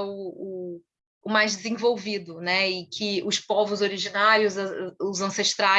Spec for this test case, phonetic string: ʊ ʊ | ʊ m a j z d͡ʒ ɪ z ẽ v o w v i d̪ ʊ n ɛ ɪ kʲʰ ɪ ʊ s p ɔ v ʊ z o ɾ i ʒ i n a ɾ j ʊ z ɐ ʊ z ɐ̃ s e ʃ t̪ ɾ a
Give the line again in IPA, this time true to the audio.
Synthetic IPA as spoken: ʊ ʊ | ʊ m a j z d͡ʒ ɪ z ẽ v o w v i d̪ ʊ n ɛ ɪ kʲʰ ɪ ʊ s p ɔ v ʊ z o ɾ i ʒ i n a ɾ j ʊ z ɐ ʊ z ɐ̃ s e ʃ t̪ ɾ a